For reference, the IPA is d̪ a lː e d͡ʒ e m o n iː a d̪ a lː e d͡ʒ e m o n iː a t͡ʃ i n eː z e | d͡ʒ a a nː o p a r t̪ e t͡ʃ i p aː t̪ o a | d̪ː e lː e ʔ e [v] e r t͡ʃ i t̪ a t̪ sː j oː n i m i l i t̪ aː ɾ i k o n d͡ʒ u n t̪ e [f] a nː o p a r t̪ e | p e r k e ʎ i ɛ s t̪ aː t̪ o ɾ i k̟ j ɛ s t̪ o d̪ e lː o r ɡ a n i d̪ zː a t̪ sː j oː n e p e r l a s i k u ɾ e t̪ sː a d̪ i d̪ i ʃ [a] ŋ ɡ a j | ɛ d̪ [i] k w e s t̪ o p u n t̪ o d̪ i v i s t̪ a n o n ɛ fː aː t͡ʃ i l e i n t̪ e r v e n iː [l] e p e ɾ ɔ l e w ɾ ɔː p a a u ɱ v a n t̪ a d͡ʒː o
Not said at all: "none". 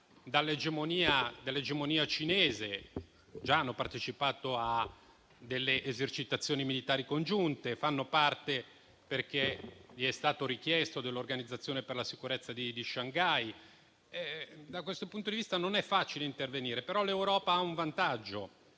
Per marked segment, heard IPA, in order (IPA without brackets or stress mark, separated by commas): z, f, a, a, ɾ